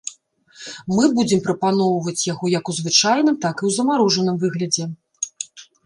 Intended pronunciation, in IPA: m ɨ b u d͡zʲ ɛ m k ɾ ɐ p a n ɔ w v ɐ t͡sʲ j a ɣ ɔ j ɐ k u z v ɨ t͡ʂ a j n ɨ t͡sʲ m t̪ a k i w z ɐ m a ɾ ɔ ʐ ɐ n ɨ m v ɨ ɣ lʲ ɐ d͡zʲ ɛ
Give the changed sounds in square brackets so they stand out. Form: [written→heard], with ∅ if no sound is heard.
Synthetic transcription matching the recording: m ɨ b u d͡zʲ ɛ m [k→p] ɾ ɐ p a n ɔ w v ɐ t͡sʲ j a ɣ ɔ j ɐ k u z v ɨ t͡ʂ a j n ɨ [t͡sʲ→∅] m t̪ a k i w z ɐ m a ɾ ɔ ʐ ɐ n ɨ m v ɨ ɣ lʲ ɐ d͡zʲ ɛ